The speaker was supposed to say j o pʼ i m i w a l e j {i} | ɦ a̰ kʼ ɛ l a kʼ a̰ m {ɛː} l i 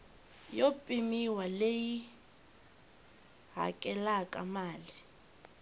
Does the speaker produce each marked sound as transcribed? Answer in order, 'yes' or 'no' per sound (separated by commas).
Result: yes, no